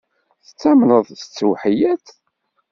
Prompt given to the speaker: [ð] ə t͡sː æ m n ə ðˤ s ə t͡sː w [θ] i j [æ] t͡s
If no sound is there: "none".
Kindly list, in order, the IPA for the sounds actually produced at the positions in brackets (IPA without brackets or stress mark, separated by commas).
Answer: θ, ħ, æ